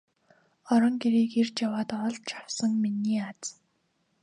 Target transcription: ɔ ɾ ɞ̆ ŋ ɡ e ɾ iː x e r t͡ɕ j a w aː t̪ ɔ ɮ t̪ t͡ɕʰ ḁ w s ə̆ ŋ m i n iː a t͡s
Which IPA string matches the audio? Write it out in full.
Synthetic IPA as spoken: ɔ ɾ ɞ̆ ŋ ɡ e ɾ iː k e r t͡ɕ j a w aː t̪ ɔ ɮ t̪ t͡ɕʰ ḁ w s ə̆ ŋ m i n iː a t͡s